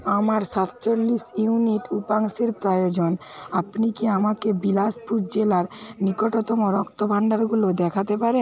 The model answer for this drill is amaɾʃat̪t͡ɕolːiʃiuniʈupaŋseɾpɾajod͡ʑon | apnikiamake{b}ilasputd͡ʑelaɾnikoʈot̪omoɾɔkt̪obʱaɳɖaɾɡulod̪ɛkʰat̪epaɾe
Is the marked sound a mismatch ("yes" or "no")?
no